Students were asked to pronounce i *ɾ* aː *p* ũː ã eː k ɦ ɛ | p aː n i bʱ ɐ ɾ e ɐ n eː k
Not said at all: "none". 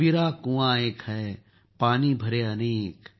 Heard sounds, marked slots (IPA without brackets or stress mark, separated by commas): ɾ, k